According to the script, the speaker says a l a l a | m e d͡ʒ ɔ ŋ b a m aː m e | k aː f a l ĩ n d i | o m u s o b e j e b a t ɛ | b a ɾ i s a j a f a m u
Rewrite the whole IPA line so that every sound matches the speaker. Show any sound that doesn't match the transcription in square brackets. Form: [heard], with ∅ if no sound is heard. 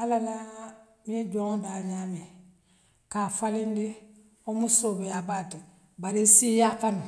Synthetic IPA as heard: a l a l a | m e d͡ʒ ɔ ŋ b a [ɲ] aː m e | k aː f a l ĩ n d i | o m u s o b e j [a] b a t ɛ | b a ɾ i s [i] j a f a [n] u